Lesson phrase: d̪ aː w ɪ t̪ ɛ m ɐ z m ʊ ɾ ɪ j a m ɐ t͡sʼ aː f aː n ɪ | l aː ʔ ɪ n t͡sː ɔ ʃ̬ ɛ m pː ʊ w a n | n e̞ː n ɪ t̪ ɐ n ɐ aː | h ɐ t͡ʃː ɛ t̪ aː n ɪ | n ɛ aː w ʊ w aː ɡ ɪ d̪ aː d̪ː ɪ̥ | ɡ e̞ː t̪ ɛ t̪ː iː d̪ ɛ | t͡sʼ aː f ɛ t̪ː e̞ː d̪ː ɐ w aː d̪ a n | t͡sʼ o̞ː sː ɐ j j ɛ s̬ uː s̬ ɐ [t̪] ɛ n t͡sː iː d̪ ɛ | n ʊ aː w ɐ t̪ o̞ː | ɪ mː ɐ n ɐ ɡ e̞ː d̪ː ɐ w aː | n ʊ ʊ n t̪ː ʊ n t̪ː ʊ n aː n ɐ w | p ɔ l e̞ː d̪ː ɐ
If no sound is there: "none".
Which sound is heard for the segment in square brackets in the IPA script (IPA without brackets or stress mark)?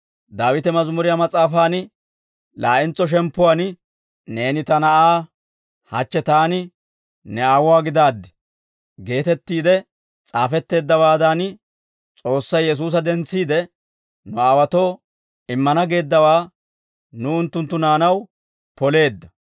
d̪